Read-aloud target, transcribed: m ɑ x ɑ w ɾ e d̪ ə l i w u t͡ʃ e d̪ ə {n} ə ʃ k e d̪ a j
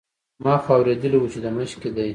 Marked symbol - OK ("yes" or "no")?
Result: no